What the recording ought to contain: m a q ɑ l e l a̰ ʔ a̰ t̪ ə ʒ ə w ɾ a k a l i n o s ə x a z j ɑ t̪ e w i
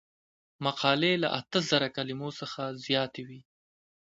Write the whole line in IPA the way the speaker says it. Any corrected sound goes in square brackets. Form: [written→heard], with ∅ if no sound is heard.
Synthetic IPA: m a q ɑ l e l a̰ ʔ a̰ t̪ ə [ʒ→z] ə [w→∅] ɾ a k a l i [n→m] o s ə x a z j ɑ t̪ e w i